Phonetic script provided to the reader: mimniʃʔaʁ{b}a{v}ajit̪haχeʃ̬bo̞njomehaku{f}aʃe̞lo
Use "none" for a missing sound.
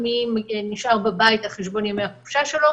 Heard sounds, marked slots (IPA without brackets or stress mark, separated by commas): b, b, ʃ